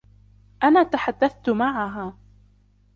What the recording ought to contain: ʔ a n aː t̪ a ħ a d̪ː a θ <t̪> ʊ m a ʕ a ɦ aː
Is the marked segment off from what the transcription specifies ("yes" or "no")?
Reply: no